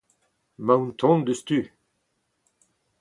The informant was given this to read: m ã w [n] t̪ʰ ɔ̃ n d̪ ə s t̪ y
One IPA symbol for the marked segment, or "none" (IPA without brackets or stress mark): n